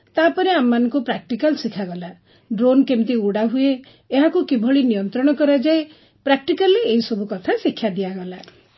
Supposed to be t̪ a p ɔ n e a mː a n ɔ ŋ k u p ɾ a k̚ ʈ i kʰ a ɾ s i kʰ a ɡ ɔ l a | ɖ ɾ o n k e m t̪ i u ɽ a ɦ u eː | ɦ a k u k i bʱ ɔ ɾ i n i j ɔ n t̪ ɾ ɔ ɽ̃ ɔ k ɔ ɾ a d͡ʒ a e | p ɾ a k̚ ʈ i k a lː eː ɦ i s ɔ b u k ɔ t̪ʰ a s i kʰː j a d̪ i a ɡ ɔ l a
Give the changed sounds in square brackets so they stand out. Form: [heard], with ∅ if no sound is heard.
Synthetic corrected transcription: t̪ a p ɔ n e a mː a n ɔ ŋ k u p ɾ a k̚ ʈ i [k] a [l] s i kʰ a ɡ ɔ l a | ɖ ɾ o n k e m t̪ i u ɽ a ɦ u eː | ɦ a k u k i bʱ ɔ [ɭ] i n i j ɔ n t̪ ɾ ɔ ɽ̃ ɔ k ɔ ɾ a d͡ʒ a e | p ɾ a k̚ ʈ i k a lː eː ɦ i s ɔ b u k ɔ t̪ʰ a s i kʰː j a d̪ i a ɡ ɔ l a

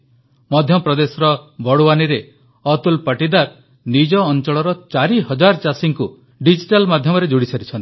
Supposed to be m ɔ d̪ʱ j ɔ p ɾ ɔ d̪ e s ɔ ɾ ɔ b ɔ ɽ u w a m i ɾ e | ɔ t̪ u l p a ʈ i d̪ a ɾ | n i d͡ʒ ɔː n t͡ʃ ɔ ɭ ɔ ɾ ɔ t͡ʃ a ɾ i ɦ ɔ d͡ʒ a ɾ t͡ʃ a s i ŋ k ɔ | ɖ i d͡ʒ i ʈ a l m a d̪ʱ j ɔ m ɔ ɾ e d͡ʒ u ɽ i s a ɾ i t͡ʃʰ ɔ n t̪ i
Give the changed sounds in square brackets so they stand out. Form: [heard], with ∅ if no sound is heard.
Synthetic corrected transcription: m ɔ d̪ʱ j ɔ p ɾ ɔ d̪ e s ɔ ɾ ɔ b ɔ ɽ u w a [n] i ɾ e | ɔ t̪ u l p a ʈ i d̪ a ɾ | n i d͡ʒ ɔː n t͡ʃ ɔ ɭ ɔ ɾ ɔ t͡ʃ a ɾ i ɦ ɔ d͡ʒ a ɾ t͡ʃ a s i ŋ k [u] | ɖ i d͡ʒ i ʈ a l m a d̪ʱ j ɔ m ɔ ɾ e d͡ʒ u ɽ i s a ɾ i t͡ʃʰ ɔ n t̪ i

